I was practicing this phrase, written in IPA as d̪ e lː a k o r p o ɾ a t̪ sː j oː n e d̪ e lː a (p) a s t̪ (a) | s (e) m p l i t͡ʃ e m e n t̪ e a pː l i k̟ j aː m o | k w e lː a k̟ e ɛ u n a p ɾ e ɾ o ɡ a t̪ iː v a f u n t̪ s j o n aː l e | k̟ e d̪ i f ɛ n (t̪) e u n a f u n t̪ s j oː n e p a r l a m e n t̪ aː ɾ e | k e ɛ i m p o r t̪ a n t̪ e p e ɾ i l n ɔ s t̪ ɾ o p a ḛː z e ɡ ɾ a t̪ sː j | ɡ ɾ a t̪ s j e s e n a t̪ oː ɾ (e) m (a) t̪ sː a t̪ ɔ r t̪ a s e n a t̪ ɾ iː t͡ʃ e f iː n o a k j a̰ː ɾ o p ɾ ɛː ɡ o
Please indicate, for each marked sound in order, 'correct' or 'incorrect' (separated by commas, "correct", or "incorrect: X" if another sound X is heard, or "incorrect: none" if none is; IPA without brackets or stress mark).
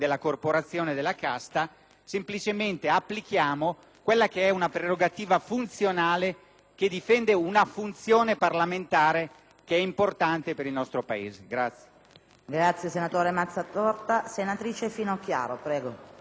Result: incorrect: k, correct, correct, incorrect: d̪, correct, correct